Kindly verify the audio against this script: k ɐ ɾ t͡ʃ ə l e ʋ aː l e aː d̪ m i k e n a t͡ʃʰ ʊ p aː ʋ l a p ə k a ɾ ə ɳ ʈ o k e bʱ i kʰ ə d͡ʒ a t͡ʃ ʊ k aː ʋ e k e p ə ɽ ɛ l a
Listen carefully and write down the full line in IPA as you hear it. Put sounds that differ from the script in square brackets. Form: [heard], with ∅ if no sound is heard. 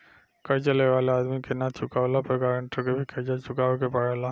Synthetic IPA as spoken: k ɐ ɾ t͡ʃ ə l e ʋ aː l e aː d̪ m i k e n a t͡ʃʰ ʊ [k] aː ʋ l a p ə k a ɾ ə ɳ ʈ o k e bʱ i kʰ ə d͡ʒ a t͡ʃ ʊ k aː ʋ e k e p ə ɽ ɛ l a